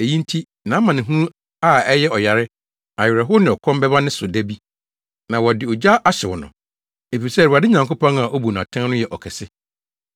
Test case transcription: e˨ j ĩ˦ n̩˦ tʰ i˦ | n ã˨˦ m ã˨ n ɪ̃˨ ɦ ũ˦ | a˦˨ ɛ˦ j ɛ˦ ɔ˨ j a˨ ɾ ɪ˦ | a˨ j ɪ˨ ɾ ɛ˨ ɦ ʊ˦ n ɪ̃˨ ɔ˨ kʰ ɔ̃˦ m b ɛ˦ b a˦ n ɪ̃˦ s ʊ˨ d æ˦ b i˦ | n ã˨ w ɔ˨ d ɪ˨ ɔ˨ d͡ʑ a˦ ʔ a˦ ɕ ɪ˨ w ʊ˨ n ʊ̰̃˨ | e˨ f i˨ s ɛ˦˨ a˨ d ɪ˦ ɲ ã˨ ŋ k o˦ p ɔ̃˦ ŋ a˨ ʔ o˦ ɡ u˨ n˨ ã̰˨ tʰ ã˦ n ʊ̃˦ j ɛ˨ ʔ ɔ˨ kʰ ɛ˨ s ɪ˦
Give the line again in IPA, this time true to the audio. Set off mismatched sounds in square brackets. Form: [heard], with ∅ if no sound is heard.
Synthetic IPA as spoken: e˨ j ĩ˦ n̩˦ tʰ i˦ | n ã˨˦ m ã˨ n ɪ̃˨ ɦ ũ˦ | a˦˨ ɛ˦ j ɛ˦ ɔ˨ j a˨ ɾ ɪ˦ | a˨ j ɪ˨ ɾ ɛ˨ ɦ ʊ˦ n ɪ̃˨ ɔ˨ kʰ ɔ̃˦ m b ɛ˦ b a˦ n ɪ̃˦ s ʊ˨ d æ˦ b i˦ | n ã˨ w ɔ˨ d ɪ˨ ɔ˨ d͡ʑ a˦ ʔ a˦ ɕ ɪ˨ w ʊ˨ n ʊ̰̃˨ | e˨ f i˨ s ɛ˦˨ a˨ d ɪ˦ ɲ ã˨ ŋ k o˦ p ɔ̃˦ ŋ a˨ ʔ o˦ [b] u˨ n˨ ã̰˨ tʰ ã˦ n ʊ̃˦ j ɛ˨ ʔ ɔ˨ kʰ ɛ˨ s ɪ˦